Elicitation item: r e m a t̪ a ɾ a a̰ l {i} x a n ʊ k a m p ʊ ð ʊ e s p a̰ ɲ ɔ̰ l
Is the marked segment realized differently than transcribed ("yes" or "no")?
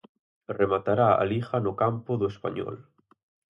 no